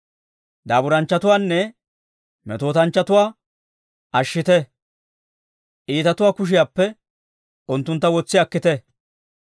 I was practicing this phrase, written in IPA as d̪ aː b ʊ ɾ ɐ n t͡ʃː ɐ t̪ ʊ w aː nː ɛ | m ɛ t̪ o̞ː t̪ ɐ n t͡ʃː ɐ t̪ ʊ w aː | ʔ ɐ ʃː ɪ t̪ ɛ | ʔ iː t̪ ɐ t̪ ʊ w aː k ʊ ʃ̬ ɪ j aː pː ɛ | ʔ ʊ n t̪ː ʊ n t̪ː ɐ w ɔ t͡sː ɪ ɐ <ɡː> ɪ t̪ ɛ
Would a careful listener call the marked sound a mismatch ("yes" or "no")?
yes